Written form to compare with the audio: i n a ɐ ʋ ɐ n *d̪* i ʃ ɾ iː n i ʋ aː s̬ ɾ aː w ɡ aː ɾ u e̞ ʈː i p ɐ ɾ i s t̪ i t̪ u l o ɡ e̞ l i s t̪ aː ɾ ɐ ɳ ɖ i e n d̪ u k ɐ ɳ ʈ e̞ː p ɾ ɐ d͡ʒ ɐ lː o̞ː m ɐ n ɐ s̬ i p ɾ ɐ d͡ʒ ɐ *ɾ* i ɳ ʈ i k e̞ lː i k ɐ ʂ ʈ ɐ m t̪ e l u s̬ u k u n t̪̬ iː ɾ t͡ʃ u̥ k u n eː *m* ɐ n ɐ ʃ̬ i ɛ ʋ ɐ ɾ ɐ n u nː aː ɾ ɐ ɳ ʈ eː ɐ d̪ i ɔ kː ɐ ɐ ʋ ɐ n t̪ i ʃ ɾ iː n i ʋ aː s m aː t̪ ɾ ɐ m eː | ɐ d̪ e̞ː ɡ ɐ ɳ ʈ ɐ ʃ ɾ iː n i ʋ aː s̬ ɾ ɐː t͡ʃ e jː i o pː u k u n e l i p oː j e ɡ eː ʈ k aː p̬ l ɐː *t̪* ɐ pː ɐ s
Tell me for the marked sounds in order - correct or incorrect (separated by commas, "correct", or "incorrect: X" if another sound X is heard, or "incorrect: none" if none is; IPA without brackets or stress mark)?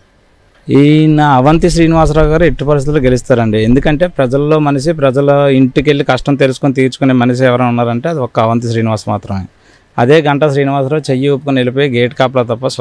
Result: incorrect: t̪, incorrect: l, correct, correct